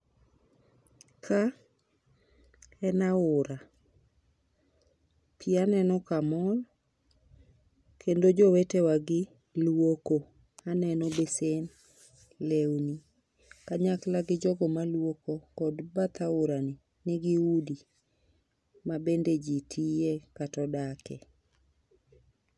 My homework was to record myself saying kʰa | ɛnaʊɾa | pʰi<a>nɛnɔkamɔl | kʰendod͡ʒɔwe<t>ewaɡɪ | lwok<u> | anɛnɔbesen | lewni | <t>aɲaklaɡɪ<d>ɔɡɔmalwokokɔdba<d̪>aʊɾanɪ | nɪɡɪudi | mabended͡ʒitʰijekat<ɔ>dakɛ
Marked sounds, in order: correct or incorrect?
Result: correct, correct, incorrect: o, incorrect: k, incorrect: d͡ʒ, incorrect: t̪, correct

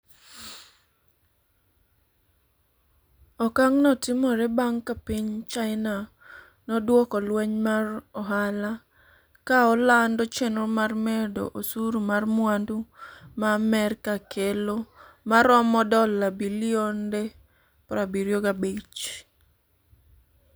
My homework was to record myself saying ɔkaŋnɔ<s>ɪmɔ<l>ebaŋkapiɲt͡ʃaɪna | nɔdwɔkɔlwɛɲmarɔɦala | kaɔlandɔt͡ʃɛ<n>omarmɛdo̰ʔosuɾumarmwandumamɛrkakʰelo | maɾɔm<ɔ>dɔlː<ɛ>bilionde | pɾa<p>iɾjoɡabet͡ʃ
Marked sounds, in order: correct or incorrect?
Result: incorrect: t, incorrect: ɾ, correct, correct, incorrect: a, incorrect: b

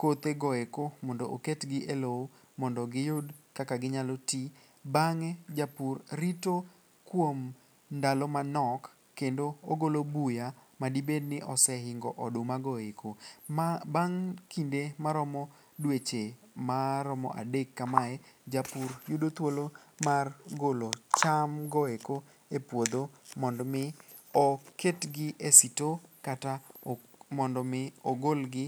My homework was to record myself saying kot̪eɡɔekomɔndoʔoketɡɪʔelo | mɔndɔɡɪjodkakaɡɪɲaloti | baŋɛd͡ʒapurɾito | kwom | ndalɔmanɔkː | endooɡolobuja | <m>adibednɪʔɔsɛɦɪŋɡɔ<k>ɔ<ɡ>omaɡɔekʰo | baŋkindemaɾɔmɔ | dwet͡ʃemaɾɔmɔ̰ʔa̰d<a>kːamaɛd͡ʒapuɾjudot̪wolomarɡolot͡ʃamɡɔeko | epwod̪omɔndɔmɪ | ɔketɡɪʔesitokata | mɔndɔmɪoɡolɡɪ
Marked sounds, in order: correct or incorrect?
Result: correct, incorrect: ʔ, incorrect: d, incorrect: e

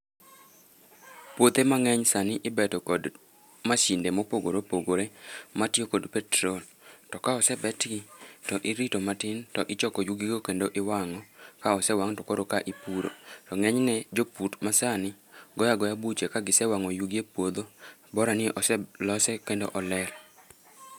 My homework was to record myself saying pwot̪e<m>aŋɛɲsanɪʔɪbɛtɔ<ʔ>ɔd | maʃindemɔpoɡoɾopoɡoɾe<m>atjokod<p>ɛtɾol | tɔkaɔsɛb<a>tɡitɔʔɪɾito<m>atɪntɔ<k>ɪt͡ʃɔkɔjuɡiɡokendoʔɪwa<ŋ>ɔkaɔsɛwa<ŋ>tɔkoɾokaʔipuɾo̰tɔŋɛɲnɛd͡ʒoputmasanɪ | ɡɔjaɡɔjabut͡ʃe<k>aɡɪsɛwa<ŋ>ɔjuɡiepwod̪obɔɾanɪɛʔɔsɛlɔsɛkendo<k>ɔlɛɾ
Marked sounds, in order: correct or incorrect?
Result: correct, incorrect: k, correct, correct, incorrect: ɛ, correct, incorrect: ʔ, correct, correct, correct, correct, incorrect: ʔ

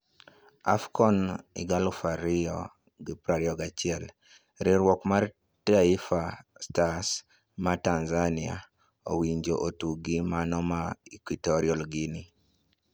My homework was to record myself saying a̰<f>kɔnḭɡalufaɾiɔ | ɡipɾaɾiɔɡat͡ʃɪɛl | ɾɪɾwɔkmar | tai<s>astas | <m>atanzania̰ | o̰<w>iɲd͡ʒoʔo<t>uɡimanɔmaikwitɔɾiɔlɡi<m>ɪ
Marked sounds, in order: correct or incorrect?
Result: correct, incorrect: f, correct, correct, correct, incorrect: n

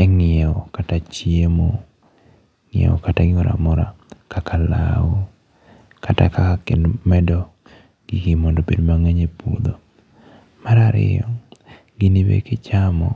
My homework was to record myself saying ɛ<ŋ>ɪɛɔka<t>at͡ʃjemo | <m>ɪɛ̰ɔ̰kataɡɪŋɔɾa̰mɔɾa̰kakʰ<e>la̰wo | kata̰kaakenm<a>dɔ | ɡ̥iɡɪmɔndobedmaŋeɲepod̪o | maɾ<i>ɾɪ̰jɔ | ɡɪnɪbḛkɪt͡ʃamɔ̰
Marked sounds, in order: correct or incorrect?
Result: correct, correct, incorrect: ŋ, incorrect: a, incorrect: ɛ, incorrect: a

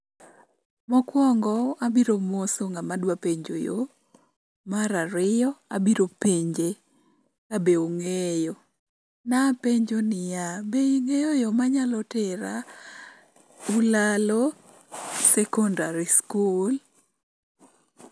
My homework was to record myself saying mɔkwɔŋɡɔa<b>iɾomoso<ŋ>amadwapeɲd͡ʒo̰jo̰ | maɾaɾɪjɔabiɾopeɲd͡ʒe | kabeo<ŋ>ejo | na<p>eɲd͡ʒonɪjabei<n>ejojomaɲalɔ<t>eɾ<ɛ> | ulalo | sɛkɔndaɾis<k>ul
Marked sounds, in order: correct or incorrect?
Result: correct, correct, correct, correct, incorrect: ŋ, correct, incorrect: a, correct

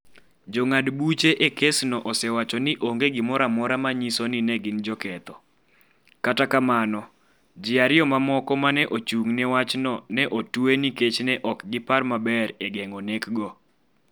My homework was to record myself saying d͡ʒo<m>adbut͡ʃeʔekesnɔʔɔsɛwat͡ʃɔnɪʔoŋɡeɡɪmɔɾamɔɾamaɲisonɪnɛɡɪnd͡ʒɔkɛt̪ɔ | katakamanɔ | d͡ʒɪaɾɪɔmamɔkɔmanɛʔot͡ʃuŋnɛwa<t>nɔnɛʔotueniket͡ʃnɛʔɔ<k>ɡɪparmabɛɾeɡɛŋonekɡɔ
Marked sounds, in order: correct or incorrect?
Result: incorrect: ŋ, incorrect: t͡ʃ, correct

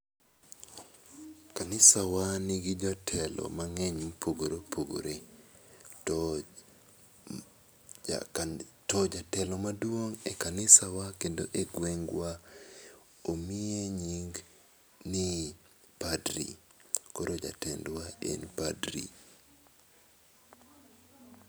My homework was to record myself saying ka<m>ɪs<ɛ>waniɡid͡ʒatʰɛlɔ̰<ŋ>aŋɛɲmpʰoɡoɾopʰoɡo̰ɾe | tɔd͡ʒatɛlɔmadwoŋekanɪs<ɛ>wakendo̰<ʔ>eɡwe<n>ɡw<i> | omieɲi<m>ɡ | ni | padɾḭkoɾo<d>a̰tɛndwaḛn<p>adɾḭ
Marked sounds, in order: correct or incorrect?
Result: incorrect: n, incorrect: a, incorrect: m, incorrect: a, correct, incorrect: ŋ, incorrect: a, incorrect: ŋ, incorrect: d͡ʒ, correct

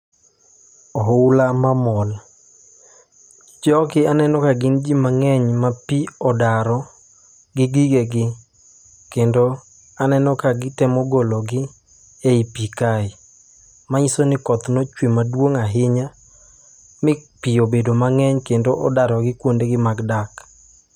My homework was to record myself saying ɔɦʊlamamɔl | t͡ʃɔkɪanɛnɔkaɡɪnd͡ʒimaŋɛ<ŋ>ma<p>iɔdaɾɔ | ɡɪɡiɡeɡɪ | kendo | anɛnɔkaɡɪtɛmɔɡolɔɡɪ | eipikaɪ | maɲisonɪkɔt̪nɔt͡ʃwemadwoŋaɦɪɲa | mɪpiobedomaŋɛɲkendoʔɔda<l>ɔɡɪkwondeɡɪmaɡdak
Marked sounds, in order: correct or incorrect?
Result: incorrect: ɲ, correct, incorrect: ɾ

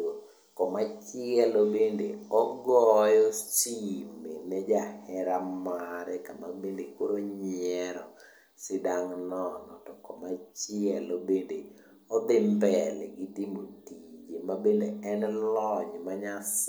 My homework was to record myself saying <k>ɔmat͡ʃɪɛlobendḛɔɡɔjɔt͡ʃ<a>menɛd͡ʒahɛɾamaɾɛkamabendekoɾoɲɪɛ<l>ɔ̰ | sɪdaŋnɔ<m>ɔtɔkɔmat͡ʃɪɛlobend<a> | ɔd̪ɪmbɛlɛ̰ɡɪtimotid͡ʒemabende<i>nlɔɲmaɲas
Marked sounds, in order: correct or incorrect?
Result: correct, incorrect: i, incorrect: ɾ, incorrect: n, incorrect: e, incorrect: ɛ

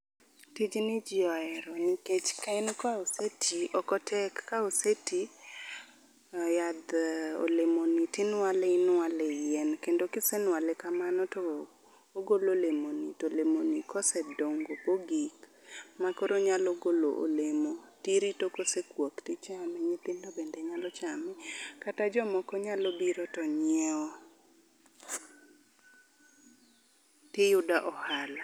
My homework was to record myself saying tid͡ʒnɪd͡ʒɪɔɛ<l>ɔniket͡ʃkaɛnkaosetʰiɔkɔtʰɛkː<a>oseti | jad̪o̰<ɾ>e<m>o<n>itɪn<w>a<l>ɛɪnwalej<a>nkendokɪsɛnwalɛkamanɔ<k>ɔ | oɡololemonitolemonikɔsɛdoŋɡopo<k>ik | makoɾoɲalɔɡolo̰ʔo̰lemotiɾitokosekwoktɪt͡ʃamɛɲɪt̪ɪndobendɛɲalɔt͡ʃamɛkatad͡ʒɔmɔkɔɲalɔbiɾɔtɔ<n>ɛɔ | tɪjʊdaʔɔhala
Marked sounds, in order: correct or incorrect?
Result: incorrect: ɾ, correct, incorrect: l, correct, correct, correct, correct, incorrect: ɛ, incorrect: t, incorrect: ɡ, incorrect: ɲ

